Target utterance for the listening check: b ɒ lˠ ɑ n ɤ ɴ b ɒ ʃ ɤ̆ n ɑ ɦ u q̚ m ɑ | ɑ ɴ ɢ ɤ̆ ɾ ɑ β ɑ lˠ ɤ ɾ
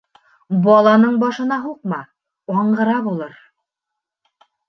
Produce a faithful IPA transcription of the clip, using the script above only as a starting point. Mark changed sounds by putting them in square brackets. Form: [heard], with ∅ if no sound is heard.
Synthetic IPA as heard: b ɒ lˠ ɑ n ɤ ɴ b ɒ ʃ ɤ̆ n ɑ ɦ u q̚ m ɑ | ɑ ɴ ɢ ɤ̆ ɾ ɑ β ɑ lˠ ɤ ɾ